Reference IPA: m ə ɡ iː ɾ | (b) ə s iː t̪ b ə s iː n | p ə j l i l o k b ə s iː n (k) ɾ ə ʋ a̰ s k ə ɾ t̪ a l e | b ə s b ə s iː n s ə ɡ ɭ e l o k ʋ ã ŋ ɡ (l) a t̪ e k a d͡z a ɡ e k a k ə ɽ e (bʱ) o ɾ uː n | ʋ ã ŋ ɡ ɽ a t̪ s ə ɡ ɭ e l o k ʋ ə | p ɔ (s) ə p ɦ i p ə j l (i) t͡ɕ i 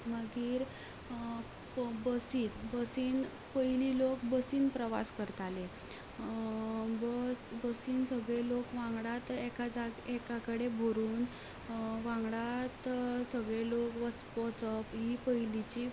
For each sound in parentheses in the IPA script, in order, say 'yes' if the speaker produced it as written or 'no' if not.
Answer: yes, no, no, yes, no, yes

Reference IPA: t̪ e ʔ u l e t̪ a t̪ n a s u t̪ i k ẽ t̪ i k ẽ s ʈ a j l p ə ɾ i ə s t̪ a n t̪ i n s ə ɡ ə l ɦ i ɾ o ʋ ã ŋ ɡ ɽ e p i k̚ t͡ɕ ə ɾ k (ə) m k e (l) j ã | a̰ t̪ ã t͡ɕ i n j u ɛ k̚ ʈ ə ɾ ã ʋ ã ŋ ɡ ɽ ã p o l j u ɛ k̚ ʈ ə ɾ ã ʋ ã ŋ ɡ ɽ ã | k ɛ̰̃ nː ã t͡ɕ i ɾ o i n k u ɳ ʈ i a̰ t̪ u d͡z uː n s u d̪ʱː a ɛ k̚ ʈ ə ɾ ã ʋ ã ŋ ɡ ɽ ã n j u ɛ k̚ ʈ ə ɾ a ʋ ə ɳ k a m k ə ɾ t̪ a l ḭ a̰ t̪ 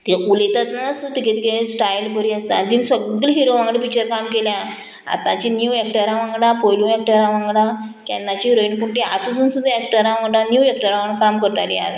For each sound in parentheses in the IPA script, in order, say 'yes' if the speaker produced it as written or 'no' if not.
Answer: no, yes

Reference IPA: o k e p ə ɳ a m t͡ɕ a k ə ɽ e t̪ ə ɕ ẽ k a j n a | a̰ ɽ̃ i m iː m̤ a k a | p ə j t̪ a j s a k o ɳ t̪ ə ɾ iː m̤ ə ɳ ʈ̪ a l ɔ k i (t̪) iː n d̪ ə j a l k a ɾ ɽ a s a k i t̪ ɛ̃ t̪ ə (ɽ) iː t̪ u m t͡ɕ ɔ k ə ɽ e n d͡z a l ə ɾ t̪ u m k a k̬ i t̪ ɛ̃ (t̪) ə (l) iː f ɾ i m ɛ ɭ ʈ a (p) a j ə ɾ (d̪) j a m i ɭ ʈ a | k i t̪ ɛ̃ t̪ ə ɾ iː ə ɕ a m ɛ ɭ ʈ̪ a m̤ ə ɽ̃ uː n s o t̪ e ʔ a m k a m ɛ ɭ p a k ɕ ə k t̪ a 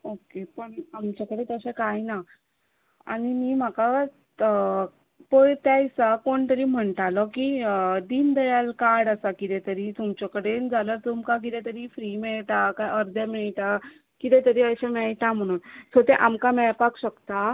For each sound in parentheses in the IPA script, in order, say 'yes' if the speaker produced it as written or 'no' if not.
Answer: no, no, yes, no, no, yes

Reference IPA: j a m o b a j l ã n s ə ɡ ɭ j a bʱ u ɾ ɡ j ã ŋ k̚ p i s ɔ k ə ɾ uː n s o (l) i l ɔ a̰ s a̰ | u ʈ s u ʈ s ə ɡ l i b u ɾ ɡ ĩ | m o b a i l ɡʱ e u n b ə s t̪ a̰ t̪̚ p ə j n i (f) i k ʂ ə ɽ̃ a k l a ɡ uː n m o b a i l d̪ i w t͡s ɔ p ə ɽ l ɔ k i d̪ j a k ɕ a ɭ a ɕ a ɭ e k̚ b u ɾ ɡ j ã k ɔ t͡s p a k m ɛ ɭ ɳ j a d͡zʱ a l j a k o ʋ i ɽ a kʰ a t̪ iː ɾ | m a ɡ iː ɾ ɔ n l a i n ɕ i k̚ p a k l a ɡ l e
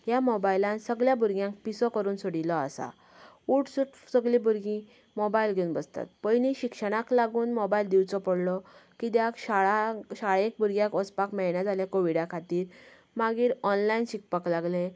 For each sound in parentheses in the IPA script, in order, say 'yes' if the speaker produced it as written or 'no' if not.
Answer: no, no

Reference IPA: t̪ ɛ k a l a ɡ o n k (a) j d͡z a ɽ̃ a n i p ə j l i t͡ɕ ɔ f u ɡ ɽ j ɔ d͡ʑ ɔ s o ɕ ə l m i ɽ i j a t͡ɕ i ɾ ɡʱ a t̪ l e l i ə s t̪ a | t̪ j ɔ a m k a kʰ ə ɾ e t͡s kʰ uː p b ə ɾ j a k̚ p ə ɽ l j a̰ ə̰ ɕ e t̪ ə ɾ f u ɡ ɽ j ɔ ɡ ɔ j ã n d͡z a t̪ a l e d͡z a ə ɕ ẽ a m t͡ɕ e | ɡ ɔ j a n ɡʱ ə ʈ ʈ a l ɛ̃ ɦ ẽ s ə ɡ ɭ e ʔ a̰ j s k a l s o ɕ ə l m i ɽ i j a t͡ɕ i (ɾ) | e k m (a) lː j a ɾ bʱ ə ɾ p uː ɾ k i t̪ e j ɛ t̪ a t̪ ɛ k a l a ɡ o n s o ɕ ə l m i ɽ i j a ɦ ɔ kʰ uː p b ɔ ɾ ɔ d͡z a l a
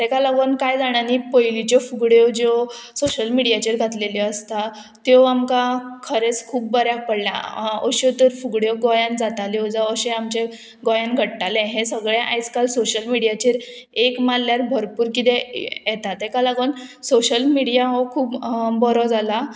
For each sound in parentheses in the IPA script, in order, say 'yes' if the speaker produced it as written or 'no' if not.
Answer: yes, yes, yes

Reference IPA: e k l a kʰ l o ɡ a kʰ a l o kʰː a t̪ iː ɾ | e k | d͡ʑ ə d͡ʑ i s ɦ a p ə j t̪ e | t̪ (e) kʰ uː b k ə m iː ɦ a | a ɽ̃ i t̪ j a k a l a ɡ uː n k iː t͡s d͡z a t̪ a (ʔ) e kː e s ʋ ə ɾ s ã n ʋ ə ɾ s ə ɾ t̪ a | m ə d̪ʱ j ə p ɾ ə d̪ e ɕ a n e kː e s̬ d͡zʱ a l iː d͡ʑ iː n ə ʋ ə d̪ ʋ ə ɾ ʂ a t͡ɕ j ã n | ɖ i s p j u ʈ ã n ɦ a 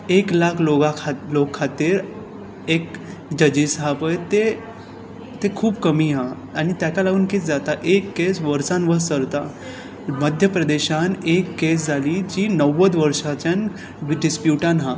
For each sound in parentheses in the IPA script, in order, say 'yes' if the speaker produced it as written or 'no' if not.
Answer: yes, yes

